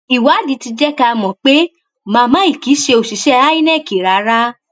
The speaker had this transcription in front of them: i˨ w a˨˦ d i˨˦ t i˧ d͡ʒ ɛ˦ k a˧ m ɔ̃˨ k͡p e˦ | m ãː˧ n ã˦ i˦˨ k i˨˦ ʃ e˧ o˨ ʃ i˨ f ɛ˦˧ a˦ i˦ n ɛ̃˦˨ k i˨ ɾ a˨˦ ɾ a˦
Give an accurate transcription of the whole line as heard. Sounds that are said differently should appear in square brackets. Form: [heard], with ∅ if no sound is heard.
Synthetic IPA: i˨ w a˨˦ d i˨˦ t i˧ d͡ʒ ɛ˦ k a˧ m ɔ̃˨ k͡p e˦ | m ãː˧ [m] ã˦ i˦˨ k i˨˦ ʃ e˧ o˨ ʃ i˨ [ʃ] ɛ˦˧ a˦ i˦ n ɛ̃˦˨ k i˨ ɾ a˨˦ ɾ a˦